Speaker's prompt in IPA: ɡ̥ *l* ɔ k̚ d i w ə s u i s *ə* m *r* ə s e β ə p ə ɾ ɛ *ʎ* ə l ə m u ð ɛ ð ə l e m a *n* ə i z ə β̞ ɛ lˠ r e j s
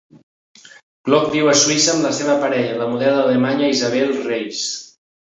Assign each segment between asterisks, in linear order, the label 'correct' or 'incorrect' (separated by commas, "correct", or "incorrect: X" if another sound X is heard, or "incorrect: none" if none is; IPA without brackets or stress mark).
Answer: correct, incorrect: əː, incorrect: l, correct, incorrect: ɲ